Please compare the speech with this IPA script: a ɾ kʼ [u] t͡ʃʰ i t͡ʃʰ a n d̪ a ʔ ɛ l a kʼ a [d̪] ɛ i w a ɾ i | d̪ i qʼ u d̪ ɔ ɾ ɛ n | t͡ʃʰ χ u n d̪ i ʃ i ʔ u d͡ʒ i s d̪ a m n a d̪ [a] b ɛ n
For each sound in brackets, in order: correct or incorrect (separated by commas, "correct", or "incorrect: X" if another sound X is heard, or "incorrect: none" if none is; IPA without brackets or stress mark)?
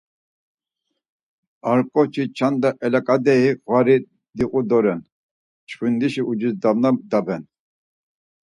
incorrect: ɔ, correct, correct